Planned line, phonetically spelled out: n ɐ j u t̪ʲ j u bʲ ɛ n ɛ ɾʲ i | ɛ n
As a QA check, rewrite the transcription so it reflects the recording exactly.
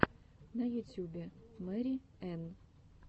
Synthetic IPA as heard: n ɐ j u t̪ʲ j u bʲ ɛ m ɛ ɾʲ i | ɛ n